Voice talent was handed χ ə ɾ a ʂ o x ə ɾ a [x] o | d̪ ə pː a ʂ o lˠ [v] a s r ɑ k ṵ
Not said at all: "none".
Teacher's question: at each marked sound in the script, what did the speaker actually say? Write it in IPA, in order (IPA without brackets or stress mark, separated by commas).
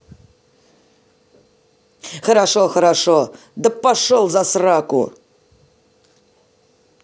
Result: ʂ, z